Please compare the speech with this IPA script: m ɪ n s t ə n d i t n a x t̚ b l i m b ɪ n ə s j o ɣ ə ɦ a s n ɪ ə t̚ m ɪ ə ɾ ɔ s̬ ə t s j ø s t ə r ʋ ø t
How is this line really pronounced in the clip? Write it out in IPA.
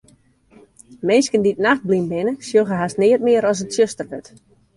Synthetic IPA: m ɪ n s k ə n d i t n a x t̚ b l i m b ɪ n ə s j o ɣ ə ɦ a s n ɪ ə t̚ m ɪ ə ɾ ɔ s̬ ə t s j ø s t ə r ʋ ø t